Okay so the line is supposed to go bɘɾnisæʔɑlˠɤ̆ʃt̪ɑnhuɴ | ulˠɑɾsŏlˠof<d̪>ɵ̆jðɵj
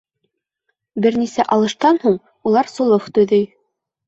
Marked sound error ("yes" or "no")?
yes